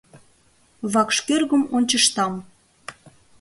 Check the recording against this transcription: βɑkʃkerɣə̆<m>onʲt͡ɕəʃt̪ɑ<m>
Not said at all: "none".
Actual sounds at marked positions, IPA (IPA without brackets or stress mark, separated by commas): m, m